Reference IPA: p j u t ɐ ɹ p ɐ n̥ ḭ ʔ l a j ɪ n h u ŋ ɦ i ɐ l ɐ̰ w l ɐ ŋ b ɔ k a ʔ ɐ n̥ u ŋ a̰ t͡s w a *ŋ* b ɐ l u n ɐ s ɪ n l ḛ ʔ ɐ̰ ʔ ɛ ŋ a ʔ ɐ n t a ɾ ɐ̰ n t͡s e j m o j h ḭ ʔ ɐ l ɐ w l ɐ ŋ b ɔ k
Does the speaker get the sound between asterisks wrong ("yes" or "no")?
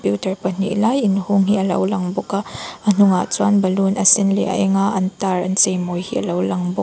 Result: yes